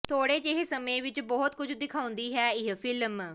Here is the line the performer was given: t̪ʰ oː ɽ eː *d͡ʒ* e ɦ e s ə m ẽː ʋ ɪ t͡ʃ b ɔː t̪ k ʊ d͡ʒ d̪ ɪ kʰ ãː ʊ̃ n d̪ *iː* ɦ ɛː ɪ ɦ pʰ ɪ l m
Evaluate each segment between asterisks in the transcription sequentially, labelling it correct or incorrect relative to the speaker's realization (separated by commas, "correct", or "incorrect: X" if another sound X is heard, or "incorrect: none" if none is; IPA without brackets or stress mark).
correct, correct